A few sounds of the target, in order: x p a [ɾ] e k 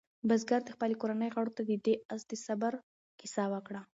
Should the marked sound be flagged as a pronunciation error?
yes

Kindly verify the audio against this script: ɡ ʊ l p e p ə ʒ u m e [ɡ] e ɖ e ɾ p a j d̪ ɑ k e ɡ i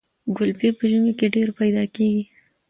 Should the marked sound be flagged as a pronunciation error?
yes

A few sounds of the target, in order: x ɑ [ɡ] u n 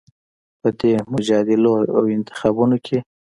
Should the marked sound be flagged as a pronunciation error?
yes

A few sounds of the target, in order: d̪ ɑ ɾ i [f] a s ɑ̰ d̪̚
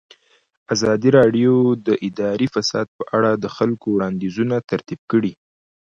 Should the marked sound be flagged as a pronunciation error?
no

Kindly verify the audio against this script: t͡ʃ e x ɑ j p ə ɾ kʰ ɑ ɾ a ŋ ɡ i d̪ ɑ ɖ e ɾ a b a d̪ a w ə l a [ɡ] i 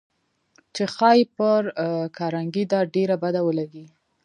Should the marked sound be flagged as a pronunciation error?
no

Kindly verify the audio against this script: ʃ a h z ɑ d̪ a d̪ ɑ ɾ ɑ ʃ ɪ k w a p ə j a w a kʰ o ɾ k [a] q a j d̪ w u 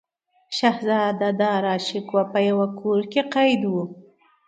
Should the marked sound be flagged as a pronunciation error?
yes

